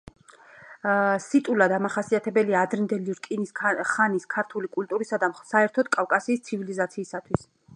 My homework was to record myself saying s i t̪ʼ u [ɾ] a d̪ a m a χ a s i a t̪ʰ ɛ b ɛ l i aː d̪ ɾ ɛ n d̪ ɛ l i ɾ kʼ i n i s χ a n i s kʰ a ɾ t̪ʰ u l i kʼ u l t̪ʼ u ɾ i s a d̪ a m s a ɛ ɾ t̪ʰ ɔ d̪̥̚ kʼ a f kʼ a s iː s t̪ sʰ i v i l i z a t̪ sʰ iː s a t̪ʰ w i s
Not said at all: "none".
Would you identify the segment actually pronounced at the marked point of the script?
l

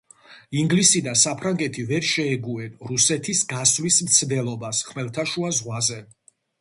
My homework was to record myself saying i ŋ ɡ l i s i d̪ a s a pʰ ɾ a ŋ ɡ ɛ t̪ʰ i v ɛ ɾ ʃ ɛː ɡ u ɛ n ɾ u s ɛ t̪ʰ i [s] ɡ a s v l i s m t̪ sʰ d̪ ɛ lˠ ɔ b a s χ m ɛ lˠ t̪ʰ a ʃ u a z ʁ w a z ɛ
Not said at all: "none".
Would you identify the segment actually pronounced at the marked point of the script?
s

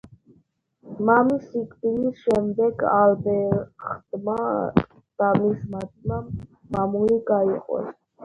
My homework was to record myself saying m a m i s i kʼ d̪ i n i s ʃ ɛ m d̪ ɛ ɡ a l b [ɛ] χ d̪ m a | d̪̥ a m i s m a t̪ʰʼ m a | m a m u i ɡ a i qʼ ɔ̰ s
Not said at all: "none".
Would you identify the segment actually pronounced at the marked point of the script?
ɛ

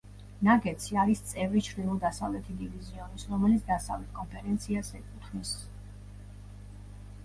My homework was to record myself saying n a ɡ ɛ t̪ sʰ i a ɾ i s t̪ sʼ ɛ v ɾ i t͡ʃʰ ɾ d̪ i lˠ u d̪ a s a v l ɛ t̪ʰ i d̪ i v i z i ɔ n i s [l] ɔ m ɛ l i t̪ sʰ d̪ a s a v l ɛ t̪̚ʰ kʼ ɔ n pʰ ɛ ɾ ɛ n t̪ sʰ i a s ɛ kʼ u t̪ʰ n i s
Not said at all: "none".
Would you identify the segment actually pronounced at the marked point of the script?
ɾ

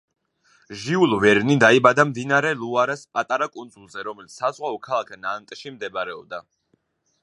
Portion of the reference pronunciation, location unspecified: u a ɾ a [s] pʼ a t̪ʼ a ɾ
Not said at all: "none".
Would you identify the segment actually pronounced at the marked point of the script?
s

